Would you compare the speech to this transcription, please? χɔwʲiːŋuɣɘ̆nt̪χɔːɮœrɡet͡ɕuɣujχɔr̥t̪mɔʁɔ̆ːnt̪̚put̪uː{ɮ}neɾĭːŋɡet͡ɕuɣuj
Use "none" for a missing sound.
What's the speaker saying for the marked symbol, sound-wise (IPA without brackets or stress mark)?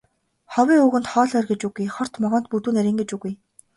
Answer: none